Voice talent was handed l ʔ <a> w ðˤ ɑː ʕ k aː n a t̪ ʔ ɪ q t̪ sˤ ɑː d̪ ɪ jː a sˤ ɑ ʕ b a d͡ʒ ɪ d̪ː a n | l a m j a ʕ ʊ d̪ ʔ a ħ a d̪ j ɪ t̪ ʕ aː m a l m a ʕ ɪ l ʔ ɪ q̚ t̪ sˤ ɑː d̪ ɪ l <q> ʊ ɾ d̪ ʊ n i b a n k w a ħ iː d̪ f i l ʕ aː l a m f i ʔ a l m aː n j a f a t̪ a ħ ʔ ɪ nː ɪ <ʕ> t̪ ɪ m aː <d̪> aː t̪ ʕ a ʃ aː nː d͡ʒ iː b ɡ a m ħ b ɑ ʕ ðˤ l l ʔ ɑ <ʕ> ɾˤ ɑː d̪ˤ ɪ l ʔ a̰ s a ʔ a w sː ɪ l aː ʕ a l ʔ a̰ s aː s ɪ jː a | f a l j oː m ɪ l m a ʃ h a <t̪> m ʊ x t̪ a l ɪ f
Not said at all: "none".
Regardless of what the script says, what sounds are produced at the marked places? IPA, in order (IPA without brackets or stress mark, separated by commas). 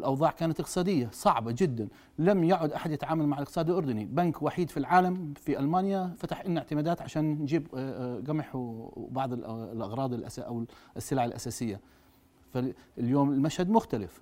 ɑ, ʔ, ʕ, d̪, ɣ, d̪